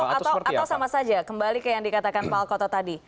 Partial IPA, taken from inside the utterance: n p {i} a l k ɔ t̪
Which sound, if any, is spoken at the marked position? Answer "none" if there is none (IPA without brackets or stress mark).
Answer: a